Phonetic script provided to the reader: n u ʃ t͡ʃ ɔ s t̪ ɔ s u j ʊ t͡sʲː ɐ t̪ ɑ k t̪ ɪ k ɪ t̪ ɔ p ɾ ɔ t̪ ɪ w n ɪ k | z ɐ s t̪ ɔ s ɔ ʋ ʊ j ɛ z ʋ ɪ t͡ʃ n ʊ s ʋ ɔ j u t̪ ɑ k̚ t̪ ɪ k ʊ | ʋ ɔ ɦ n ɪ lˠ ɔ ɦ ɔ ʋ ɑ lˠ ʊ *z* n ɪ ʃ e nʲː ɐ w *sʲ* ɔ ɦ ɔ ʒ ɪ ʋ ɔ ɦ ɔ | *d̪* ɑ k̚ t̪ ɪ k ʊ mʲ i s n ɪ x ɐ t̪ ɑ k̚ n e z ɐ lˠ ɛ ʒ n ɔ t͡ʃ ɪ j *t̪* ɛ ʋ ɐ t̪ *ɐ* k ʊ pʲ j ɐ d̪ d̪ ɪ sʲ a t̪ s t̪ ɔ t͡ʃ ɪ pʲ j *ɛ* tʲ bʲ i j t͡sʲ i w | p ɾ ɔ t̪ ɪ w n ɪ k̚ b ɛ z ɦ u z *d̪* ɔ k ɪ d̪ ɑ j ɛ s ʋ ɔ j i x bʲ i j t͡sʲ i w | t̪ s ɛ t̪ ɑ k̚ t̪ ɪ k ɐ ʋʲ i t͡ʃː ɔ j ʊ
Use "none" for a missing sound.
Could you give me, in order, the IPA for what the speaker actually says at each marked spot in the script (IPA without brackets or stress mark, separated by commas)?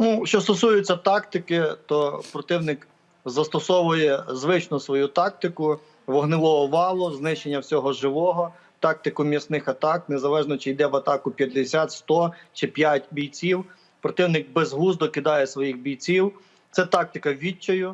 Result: z, sʲ, t̪, d̪, ɑ, a, d̪